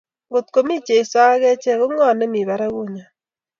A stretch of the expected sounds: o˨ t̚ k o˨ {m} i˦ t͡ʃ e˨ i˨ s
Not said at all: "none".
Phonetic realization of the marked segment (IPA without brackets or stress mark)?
m